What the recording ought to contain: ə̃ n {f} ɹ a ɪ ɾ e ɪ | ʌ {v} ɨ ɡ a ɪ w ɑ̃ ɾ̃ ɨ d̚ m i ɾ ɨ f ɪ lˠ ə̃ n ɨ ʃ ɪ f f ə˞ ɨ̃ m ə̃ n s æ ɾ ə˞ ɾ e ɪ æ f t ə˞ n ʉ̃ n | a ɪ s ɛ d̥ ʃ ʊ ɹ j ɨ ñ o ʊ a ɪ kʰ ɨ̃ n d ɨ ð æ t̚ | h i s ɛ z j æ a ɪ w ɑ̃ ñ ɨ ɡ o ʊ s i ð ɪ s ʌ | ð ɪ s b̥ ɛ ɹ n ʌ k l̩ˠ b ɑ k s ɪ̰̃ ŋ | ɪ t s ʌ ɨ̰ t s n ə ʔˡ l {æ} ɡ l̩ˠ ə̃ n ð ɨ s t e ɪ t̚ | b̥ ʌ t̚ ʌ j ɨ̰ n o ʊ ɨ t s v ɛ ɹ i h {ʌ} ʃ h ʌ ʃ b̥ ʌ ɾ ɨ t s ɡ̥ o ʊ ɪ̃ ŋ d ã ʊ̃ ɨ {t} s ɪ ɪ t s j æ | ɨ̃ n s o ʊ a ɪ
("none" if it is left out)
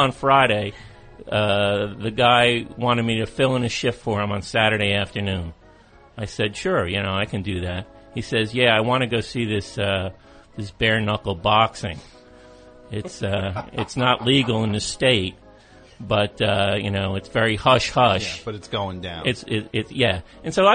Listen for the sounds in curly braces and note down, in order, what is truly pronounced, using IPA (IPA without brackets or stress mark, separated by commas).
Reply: f, ð, i, ʌ, t